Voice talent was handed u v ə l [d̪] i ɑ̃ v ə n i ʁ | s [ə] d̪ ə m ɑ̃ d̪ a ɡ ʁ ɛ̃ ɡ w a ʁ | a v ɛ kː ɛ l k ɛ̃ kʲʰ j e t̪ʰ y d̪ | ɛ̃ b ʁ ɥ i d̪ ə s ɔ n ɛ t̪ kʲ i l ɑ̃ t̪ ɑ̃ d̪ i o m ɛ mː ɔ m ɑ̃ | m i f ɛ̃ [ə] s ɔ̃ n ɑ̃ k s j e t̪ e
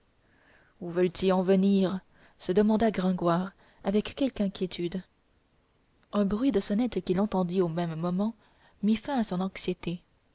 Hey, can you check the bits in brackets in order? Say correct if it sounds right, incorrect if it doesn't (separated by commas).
incorrect, correct, incorrect